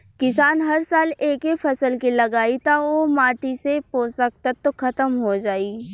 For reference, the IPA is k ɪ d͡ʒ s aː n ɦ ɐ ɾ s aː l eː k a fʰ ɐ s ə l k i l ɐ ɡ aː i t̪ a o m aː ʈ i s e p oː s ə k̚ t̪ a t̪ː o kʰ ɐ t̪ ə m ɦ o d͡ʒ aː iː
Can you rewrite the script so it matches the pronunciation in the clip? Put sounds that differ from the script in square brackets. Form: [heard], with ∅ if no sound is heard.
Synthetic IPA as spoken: k ɪ [∅] s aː n ɦ ɐ ɾ s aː l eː k [e] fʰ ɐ s ə l k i l ɐ ɡ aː i t̪ a o m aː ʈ i s e p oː s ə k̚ t̪ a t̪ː o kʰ ɐ t̪ ə m ɦ o d͡ʒ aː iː

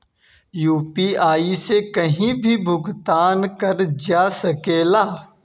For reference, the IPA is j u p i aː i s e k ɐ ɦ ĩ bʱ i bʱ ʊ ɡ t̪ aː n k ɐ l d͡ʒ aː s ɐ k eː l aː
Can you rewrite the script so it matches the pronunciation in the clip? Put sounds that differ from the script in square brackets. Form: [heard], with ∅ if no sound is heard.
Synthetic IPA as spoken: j [uː] p i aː i s e k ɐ ɦ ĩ bʱ i bʱ ʊ ɡ t̪ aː n k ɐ [ɾ] d͡ʒ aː s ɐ k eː l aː

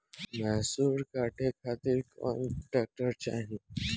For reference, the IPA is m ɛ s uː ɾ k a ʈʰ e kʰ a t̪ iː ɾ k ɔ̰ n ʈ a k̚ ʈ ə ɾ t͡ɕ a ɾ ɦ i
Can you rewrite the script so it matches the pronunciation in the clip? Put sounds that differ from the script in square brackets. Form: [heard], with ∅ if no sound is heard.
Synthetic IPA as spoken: m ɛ s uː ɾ k a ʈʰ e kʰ a t̪ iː ɾ k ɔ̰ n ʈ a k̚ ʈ ə ɾ t͡ɕ a [∅] ɦ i

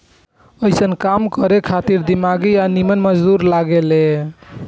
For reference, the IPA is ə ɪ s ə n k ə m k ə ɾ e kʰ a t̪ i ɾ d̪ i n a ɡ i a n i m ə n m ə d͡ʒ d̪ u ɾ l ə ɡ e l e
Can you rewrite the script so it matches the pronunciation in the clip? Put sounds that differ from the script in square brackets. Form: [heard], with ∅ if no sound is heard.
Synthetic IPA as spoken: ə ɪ s ə n k [a] m k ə ɾ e kʰ a t̪ i ɾ d̪ i [m] a ɡ i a n i m ə n m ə d͡ʒ d̪ u ɾ l [a] ɡ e l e

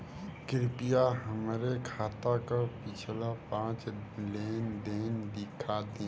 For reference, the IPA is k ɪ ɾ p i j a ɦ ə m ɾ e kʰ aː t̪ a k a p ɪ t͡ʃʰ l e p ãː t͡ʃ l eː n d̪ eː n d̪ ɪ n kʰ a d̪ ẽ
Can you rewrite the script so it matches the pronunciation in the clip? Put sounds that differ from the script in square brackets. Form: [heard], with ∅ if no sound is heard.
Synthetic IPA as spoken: k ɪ ɾ p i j a ɦ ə m ɾ e kʰ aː t̪ a k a p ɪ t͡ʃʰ l [a] p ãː t͡ʃ l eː n d̪ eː n d̪ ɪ [∅] kʰ a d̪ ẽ

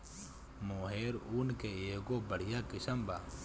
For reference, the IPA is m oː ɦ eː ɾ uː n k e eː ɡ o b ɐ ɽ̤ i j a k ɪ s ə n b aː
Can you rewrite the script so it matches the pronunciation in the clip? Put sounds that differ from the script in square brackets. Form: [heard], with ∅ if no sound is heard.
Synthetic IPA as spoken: m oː ɦ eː ɾ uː n k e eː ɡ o b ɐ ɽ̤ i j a k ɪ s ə [m] b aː

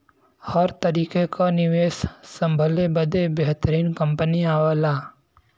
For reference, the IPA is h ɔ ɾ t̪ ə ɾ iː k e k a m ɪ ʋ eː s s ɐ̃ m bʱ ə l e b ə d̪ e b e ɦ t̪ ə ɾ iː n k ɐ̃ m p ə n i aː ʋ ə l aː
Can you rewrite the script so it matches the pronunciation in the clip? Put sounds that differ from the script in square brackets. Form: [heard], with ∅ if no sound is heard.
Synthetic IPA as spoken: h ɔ ɾ t̪ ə ɾ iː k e k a [n] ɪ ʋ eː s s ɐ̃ m bʱ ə l e b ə d̪ e b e ɦ t̪ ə ɾ iː n k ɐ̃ m p ə n i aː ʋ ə l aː

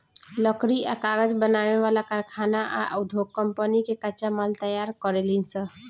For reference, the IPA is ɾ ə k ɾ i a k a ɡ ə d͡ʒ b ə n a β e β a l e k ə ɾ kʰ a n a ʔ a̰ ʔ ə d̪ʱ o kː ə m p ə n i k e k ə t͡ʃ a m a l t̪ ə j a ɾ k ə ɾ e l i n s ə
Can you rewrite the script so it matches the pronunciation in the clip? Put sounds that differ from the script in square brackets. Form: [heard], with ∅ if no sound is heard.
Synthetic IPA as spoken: [l] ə k ɾ i a k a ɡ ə d͡ʒ b ə n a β e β a l [a] k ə ɾ kʰ a n a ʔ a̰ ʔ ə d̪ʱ o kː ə m p ə n i k e k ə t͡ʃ a m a l t̪ ə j a ɾ k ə ɾ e l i n s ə

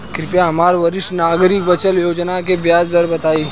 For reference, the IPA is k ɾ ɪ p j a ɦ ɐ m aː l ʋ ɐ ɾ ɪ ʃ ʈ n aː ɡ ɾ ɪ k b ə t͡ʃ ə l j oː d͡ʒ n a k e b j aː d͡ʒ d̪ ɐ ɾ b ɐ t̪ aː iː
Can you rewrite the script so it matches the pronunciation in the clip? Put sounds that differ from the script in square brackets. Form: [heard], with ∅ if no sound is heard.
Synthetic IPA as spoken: k ɾ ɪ p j a ɦ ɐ m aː [ɾ] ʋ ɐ ɾ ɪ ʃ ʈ n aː ɡ ɾ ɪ k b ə t͡ʃ ə l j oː d͡ʒ n a k e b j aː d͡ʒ d̪ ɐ ɾ b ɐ t̪ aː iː

